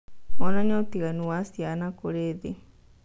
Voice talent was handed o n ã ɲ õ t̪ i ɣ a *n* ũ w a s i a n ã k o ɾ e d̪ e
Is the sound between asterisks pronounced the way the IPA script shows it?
yes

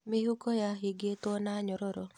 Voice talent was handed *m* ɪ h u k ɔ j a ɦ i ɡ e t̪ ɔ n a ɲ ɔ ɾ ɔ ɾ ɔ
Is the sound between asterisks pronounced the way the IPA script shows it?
yes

